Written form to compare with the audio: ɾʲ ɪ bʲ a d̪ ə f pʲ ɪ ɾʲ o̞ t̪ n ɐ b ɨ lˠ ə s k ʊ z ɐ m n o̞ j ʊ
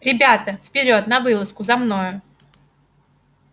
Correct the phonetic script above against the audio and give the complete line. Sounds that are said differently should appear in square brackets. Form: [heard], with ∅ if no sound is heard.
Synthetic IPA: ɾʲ ɪ bʲ a [t̪] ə f pʲ ɪ ɾʲ o̞ t̪ n ɐ [v] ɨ lˠ ə s k ʊ z ɐ m n o̞ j ʊ

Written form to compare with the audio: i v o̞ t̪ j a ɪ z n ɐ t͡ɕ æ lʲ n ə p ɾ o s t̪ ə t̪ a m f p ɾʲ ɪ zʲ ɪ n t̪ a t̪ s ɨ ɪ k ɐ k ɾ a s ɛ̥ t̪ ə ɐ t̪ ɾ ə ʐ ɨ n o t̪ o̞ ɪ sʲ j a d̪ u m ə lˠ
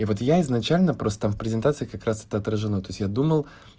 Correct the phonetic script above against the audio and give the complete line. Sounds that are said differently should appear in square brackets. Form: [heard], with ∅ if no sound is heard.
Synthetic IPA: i v o̞ t̪ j a ɪ z n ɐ t͡ɕ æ lʲ n ə p ɾ o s t̪ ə t̪ a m f p ɾʲ ɪ zʲ ɪ n t̪ a t̪ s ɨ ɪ k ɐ k ɾ a s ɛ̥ t̪ ə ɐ t̪ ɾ ə ʐ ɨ n o t̪ o̞ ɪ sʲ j a d̪ u m ə lˠ

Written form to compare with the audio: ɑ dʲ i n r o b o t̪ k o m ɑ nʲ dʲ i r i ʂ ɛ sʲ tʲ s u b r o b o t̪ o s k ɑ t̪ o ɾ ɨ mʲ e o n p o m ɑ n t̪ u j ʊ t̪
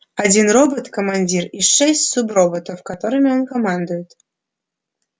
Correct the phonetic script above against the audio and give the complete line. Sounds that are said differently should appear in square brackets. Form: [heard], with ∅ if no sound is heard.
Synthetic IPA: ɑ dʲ i n r o b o t̪ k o m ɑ nʲ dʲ i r i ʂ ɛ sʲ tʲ s u b r o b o t̪ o [f] k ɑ t̪ o ɾ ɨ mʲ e o n [k] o m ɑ n [d̪] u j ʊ t̪

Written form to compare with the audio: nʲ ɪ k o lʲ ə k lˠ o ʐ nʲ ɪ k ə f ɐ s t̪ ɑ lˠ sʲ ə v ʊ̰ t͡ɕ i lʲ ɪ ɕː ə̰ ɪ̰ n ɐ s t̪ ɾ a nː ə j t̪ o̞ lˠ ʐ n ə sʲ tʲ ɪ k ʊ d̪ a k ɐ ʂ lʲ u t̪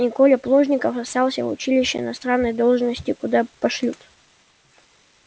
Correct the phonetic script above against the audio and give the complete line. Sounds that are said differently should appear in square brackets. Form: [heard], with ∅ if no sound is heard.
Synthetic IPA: nʲ ɪ k o lʲ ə [p] lˠ o ʐ nʲ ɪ k ə f ɐ s t̪ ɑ lˠ sʲ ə v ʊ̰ t͡ɕ i lʲ ɪ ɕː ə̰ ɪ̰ n ɐ s t̪ ɾ a nː ə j [d̪] o̞ lˠ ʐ n ə sʲ tʲ ɪ k ʊ d̪ a [p] ɐ ʂ lʲ u t̪

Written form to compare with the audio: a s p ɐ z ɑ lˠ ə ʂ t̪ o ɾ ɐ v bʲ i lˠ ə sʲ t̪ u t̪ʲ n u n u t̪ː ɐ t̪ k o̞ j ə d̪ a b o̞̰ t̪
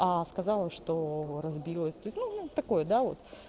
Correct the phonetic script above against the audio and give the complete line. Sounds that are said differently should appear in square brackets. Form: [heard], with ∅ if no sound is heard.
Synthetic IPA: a s [k] ɐ z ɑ lˠ ə ʂ t̪ o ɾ ɐ [z] bʲ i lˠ ə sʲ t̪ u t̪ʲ n u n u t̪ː ɐ [∅] k o̞ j ə d̪ a [v] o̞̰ t̪

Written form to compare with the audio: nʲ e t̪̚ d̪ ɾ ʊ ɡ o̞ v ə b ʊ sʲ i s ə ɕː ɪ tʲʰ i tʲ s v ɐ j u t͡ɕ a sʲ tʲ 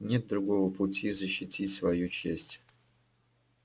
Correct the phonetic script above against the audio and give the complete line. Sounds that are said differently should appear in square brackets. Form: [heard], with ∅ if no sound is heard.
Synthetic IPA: nʲ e t̪̚ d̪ ɾ ʊ ɡ o̞ v ə [p] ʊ [tʲ] i [z] ə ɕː ɪ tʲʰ i tʲ s v ɐ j u t͡ɕ [e] sʲ tʲ

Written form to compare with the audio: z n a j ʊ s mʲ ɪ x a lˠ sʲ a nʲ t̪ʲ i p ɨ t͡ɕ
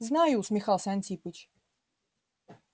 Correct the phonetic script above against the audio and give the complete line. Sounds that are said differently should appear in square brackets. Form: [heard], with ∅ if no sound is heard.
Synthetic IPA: z n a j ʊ s mʲ ɪ x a lˠ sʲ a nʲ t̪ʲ i p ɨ t͡ɕ

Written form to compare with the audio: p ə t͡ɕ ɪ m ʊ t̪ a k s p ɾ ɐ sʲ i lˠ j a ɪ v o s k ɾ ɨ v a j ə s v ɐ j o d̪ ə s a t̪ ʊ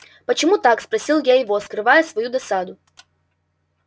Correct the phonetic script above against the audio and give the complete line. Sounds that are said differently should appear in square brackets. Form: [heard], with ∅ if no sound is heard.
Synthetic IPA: p ə t͡ɕ ɪ m [u] t̪ a k s p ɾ ɐ sʲ i lˠ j a ɪ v o s k ɾ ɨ v a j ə s v ɐ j [u] d̪ [ɐ] s a [d̪] ʊ

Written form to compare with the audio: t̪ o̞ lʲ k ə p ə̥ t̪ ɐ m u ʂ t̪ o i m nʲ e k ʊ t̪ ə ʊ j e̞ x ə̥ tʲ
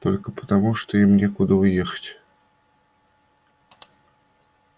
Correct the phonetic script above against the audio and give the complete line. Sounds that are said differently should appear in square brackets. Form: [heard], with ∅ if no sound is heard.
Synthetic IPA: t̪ o̞ lʲ k ə p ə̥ t̪ ɐ m u ʂ t̪ o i m nʲ e k ʊ [d̪] ə ʊ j e̞ x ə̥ tʲ

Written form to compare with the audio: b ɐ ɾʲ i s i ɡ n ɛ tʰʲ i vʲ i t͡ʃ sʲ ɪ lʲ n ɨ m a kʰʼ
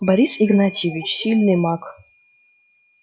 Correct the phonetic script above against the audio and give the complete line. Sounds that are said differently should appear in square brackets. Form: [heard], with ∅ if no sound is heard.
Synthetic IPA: b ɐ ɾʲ i s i ɡ n [a] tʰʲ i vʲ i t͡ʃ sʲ [i] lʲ n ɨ m a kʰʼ

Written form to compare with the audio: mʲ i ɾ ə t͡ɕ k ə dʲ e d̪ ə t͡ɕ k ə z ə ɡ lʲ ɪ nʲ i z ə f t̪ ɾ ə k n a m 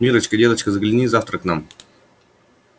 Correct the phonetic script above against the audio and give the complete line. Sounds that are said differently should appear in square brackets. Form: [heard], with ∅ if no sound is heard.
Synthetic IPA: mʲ i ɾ ə t͡ɕ k ə dʲ e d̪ ə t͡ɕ k ə z ə ɡ lʲ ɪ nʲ i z [a] f t̪ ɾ ə k n a m

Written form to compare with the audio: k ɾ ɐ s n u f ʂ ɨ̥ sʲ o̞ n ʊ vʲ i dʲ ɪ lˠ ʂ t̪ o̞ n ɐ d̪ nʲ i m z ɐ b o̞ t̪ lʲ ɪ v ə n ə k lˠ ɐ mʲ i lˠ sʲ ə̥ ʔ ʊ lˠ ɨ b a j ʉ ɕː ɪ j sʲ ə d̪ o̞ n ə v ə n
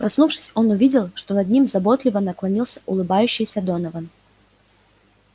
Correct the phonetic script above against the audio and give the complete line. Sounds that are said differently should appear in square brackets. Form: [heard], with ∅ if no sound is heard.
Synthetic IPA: [p] ɾ ɐ s n u f ʂ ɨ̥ sʲ o̞ n ʊ vʲ i dʲ ɪ lˠ ʂ t̪ o̞ n ɐ d̪ nʲ i m z ɐ b o̞ t̪ lʲ ɪ v ə n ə k lˠ ɐ [nʲ] i lˠ sʲ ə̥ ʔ ʊ lˠ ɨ b a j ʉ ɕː ɪ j sʲ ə d̪ o̞ n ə v ə n

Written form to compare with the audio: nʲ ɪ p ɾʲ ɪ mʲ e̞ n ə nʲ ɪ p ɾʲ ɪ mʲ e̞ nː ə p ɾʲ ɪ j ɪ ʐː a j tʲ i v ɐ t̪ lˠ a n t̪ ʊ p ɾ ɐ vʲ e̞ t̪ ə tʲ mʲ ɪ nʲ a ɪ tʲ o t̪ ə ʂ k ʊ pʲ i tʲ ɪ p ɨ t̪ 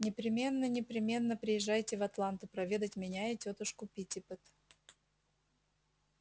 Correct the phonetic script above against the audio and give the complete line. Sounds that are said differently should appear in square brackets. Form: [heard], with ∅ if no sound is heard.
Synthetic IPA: nʲ ɪ p ɾʲ ɪ mʲ e̞ [nː] ə nʲ ɪ p ɾʲ ɪ mʲ e̞ nː ə p ɾʲ ɪ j ɪ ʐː a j tʲ [ɪ] v ɐ t̪ lˠ a n t̪ ʊ p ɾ ɐ vʲ e̞ [d̪] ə tʲ mʲ ɪ nʲ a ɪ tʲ o t̪ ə ʂ k ʊ pʲ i tʲ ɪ p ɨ t̪

